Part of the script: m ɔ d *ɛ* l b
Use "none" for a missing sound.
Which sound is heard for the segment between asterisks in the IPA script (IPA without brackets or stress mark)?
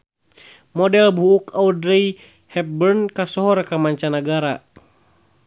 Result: ɛ